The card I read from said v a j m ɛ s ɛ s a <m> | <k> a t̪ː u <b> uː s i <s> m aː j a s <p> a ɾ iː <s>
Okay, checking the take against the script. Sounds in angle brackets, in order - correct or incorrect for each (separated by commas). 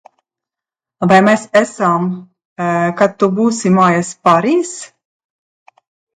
correct, correct, correct, incorrect, correct, correct